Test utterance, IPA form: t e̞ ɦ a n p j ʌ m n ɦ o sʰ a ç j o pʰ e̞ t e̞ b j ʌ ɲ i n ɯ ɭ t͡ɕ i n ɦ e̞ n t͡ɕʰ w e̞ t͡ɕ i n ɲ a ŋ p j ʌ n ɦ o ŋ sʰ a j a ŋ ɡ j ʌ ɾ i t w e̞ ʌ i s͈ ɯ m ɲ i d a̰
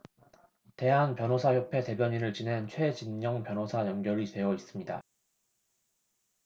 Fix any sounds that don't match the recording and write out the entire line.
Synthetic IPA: t e̞ ɦ a n p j ʌ n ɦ o sʰ a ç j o pʰ e̞ t e̞ b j ʌ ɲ i n ɯ ɭ t͡ɕ i n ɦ e̞ n t͡ɕʰ w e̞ t͡ɕ i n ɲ ʌ ŋ p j ʌ n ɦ o sʰ a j ʌ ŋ ɡ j ʌ ɾ i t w e̞ ʌ i s͈ ɯ m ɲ i d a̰

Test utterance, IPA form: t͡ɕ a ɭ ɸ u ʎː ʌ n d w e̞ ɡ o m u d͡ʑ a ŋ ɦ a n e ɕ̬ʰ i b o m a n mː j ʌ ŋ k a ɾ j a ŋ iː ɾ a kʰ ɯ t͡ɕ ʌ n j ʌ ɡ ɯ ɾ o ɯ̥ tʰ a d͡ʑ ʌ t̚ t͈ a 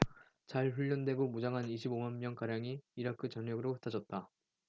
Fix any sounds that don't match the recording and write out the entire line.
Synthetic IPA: t͡ɕ a ɭ ɸ u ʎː ʌ n d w e̞ ɡ o m u d͡ʑ a ŋ ɦ a n i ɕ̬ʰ i b o m a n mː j ʌ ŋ k a ɾ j a ŋ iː ɾ a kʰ ɯ t͡ɕ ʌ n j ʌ ɡ ɯ ɾ o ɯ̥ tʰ a d͡ʑ ʌ t̚ t͈ a

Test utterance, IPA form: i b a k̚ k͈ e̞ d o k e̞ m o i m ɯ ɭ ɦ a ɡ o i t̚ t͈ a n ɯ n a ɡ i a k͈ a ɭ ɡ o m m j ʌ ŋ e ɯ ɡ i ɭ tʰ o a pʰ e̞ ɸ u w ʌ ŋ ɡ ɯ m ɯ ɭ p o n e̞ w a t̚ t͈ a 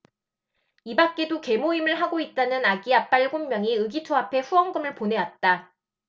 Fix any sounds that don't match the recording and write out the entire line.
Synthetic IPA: i b a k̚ k͈ e̞ d o k e̞ m o i m ɯ ɭ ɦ a ɡ o i t̚ t͈ a n ɯ n a ɡ i a p͈ a ɭ ɡ o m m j ʌ ŋ i ɯ ɡ i tʰ o a pʰ e̞ ɸ u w ʌ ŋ ɡ ɯ m ɯ ɭ p o n e̞ w a t̚ t͈ a

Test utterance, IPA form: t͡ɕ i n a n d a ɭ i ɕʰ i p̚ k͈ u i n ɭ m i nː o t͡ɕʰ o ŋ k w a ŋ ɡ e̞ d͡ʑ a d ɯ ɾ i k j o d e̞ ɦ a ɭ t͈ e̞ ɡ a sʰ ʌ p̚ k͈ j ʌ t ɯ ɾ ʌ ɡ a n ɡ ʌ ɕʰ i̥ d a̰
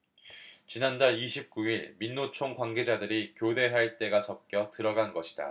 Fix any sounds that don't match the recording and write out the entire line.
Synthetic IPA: t͡ɕ i n a n d a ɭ i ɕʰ i p̚ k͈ u i ɭ m i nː o t͡ɕʰ o ŋ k w a ŋ ɡ e̞ d͡ʑ a d ɯ ɾ i k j o d e̞ ɦ a ɭ t͈ e̞ ɡ a sʰ ʌ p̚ k͈ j ʌ t ɯ ɾ ʌ ɡ a n ɡ ʌ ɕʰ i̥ d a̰

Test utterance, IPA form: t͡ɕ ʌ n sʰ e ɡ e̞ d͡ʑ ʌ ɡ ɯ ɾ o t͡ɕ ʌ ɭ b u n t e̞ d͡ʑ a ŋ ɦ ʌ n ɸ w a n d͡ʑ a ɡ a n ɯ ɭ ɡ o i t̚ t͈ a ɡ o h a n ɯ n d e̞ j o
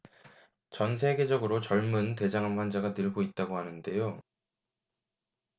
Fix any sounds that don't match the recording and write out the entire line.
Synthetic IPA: t͡ɕ ʌ n sʰ e ɡ e̞ d͡ʑ ʌ ɡ ɯ ɾ o t͡ɕ ʌ ɭ m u n t e̞ d͡ʑ a ŋ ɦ a n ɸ w a n d͡ʑ a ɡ a n ɯ ɭ ɡ o i t̚ t͈ a ɡ o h a n ɯ n d e̞ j o

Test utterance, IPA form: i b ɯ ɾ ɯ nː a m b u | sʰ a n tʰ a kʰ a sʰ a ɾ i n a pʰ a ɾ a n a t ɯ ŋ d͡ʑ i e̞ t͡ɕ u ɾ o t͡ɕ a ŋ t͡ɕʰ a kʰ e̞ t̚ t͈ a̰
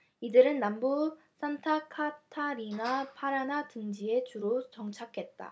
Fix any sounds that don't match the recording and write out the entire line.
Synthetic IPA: i d ɯ ɾ ɯ nː a m b u | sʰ a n tʰ a kʰ a tʰ a ɾ i n a pʰ a ɾ a n a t ɯ ŋ d͡ʑ i e̞ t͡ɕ u ɾ o t͡ɕ ʌ ŋ t͡ɕʰ a kʰ e̞ t̚ t͈ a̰

